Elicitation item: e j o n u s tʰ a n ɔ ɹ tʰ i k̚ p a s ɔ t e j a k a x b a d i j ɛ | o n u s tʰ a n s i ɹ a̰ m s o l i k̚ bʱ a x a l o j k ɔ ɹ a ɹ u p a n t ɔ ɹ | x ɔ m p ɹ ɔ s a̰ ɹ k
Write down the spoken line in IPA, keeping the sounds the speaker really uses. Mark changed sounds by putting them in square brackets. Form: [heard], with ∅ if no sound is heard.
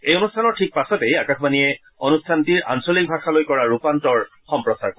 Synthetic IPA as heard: e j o n u s tʰ a n ɔ ɹ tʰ i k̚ p a s ɔ t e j a k a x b a [n] i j ɛ | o n u s tʰ a n [t] i ɹ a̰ [n] s o l i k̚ bʱ a x a l o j k ɔ ɹ a ɹ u p a n t ɔ ɹ | x ɔ m p ɹ ɔ s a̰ ɹ k